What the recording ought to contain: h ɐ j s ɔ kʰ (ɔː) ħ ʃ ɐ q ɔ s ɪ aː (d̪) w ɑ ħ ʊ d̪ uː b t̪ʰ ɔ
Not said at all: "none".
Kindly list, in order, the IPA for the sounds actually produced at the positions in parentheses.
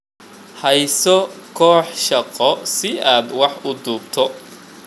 ɔː, d̪

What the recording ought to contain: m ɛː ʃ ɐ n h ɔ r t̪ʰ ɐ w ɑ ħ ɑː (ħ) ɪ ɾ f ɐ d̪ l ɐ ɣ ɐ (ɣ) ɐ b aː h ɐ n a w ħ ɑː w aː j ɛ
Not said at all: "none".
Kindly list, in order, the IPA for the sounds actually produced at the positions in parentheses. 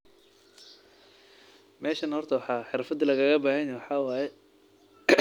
ħ, ɣ

